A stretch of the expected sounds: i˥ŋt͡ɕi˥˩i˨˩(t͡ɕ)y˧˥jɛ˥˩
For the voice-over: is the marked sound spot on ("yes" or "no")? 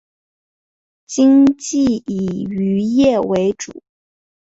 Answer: no